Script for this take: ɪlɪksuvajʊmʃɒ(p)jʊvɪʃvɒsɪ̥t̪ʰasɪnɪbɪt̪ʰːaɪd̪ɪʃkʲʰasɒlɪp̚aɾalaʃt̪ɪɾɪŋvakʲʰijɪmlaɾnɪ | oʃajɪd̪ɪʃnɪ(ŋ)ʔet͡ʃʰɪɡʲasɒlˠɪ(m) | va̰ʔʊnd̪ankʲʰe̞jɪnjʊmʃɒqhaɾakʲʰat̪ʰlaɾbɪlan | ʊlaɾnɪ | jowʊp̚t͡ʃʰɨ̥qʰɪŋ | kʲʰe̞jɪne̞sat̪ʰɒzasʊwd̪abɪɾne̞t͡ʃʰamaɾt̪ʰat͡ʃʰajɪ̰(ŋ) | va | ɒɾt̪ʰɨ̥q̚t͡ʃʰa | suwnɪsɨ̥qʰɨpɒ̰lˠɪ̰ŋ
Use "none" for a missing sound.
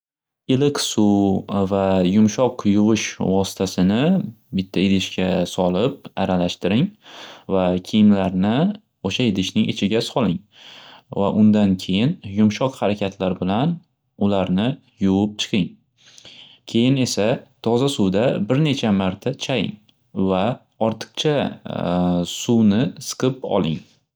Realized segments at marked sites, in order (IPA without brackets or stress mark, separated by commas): q, ŋ, ŋ, ŋ